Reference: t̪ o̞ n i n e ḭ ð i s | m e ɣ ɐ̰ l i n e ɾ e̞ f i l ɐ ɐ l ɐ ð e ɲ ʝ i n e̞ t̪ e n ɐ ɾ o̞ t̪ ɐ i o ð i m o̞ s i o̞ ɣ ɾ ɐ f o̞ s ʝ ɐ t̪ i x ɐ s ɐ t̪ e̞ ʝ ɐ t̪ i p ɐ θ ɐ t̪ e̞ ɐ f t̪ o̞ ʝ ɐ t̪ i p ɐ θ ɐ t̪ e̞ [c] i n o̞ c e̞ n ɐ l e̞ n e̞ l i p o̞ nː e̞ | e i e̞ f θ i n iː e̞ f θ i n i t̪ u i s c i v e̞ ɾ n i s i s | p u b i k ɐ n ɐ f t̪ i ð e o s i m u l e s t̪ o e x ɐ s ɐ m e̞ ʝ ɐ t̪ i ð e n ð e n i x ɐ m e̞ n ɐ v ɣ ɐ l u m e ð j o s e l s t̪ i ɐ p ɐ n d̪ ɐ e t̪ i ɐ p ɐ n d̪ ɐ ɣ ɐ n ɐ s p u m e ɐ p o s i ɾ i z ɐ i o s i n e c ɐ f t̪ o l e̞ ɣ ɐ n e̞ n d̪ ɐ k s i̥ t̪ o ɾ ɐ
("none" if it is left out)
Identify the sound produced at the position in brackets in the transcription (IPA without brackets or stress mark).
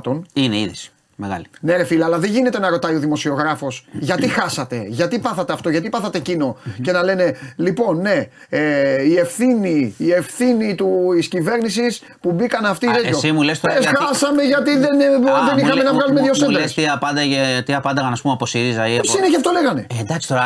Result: c